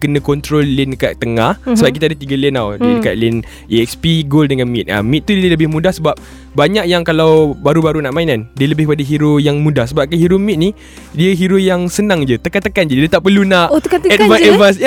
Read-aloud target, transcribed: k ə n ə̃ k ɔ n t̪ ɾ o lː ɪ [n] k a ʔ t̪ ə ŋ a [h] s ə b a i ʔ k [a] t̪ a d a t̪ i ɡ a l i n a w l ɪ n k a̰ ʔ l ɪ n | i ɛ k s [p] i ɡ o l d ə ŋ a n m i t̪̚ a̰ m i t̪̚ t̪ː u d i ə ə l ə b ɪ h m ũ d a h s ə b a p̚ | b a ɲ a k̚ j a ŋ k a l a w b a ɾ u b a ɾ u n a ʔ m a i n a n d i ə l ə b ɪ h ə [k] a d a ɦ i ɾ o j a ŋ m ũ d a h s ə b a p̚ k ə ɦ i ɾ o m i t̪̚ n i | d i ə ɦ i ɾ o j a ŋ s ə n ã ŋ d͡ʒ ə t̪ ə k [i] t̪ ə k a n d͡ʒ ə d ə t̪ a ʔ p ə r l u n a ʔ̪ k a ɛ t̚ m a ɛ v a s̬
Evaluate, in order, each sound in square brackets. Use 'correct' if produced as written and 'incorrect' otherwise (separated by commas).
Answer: correct, correct, incorrect, correct, incorrect, incorrect